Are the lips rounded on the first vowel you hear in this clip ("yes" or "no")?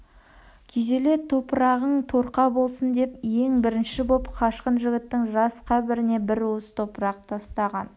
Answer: no